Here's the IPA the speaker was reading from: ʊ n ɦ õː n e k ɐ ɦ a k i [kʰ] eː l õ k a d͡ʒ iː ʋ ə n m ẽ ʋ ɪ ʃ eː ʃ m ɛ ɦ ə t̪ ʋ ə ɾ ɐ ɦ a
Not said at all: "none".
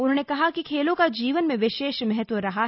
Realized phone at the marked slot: kʰ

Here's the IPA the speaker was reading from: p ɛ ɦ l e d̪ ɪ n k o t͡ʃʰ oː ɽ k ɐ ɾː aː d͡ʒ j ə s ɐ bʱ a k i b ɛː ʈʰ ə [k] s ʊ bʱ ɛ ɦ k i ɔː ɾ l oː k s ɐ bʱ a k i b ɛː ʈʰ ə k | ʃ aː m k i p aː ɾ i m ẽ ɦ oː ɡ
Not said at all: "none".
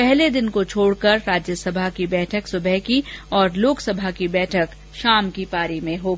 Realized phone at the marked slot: k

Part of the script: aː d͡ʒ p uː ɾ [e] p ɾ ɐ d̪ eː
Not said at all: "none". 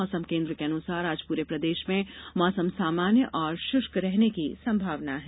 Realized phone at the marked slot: e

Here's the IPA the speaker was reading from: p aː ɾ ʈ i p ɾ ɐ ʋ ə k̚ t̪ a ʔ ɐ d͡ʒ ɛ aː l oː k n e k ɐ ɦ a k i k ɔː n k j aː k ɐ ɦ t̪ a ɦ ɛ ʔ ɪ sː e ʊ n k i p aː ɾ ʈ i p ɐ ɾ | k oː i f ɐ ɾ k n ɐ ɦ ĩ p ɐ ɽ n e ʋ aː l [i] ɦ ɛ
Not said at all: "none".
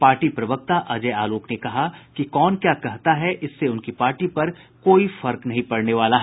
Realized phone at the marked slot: a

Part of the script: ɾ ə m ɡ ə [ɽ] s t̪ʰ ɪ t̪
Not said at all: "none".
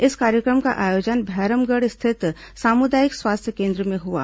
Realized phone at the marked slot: ɽ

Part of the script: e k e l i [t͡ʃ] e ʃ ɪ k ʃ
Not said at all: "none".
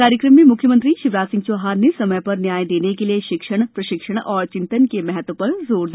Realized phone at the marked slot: none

